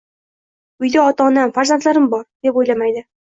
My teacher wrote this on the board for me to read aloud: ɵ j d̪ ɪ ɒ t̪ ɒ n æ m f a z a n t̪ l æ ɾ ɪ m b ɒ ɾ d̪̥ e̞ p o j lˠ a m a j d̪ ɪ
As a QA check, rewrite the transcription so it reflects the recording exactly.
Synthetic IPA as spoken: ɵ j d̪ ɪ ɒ t̪ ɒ n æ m f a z a n t̪ l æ ɾ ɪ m b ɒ ɾ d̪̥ e̞ p o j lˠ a m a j d̪ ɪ